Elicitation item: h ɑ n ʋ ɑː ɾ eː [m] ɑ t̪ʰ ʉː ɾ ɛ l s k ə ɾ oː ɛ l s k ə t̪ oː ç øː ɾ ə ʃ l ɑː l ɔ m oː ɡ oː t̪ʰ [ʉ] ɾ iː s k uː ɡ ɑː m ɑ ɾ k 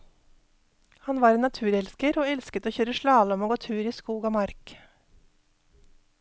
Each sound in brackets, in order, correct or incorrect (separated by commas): incorrect, incorrect